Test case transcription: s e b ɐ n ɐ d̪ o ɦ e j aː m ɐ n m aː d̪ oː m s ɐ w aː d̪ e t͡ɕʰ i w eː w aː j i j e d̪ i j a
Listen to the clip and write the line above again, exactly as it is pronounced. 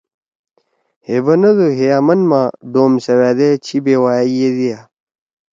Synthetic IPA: h e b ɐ n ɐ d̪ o ɦ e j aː m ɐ n m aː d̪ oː m s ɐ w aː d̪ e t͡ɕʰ i b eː w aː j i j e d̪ i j a